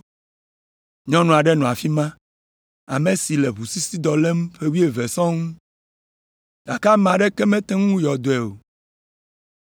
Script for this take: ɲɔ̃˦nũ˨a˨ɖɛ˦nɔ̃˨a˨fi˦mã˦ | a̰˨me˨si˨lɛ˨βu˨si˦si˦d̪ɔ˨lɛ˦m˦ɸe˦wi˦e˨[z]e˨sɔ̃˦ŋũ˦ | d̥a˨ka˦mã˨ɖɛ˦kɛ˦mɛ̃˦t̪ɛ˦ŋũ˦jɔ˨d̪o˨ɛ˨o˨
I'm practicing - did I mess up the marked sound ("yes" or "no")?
yes